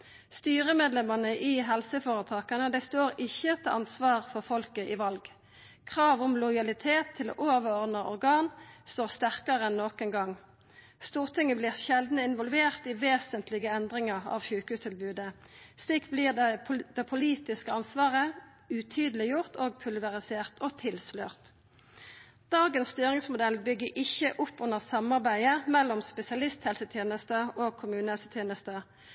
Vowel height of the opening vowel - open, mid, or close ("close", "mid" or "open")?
close